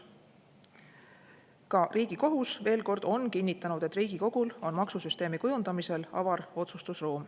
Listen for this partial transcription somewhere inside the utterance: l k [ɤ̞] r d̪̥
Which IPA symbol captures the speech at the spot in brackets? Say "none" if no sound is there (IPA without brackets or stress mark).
o̞